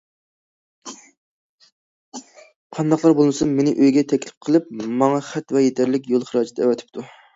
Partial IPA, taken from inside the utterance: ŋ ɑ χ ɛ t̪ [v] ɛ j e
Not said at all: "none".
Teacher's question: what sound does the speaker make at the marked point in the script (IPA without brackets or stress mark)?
v